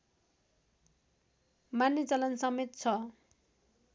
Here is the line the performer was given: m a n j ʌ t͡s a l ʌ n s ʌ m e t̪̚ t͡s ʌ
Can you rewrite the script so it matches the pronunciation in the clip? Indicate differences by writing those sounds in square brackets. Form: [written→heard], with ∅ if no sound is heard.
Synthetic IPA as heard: m a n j ʌ t͡s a l ʌ n s ʌ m e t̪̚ [t͡s→t͡sʰ] ʌ